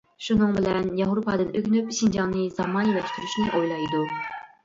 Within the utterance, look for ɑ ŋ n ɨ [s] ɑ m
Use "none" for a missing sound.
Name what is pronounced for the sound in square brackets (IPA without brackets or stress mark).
z